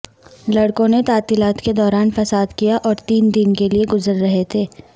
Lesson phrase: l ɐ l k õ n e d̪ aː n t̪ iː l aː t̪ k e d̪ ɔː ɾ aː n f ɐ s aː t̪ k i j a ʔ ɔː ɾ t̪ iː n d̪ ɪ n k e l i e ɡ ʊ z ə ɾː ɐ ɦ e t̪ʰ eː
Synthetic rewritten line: l ɐ ɽ k õ n e t̪ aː t̪ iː l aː t̪ k e d̪ ɔː ɾ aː n f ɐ s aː d̪ k i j a ʔ ɔː ɾ t̪ iː n d̪ ɪ n k e l i e ɡ ʊ z ə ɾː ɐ ɦ e t̪ʰ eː